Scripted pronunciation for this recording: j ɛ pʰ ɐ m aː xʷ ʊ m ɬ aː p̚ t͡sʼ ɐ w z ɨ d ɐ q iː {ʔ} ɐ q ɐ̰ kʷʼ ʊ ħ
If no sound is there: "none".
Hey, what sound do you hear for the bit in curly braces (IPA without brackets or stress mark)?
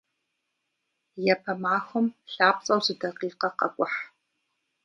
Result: q